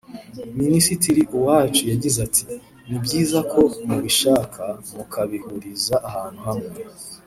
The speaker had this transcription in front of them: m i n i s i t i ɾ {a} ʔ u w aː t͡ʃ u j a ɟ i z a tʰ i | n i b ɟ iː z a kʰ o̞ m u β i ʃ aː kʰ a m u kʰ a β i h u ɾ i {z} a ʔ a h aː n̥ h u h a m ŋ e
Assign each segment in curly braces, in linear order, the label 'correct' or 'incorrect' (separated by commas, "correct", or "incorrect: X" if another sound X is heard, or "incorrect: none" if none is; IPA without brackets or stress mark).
incorrect: i, correct